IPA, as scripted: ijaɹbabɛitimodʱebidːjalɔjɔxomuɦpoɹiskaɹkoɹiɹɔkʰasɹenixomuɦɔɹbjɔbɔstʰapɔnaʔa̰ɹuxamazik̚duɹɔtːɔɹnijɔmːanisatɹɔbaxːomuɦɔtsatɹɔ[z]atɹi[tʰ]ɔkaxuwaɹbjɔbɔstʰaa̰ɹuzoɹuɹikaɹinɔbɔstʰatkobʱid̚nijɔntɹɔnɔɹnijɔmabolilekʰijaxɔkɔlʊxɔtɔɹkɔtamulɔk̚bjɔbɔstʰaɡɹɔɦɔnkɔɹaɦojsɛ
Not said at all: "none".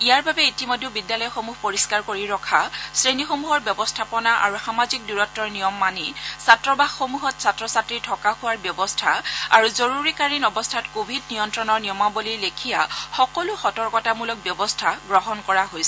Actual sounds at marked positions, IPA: s, tʰ

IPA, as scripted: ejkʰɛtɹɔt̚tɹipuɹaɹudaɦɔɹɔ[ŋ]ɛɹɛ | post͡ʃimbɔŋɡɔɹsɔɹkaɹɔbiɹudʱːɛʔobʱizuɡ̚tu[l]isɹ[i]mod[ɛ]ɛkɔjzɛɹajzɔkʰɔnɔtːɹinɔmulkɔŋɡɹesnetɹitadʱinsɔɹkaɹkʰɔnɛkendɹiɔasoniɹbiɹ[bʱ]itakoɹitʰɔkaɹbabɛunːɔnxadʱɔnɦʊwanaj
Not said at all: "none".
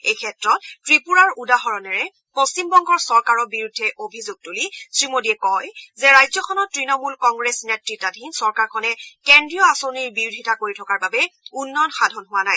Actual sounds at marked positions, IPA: n, l, i, i, dʱ

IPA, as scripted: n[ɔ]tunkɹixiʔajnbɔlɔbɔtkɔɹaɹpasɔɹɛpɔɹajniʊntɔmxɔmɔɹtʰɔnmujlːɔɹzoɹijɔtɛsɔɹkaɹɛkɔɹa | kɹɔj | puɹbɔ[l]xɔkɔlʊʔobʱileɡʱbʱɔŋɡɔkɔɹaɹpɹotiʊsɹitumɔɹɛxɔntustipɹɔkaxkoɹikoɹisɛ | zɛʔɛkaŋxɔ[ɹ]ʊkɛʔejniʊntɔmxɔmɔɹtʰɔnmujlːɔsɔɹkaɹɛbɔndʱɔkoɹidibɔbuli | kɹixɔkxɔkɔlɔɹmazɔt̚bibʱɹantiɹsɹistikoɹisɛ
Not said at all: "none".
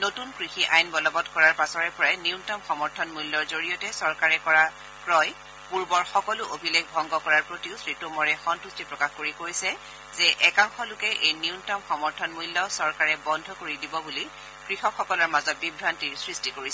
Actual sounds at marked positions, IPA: o, ɹ, l

